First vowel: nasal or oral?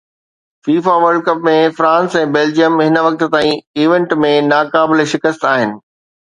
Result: oral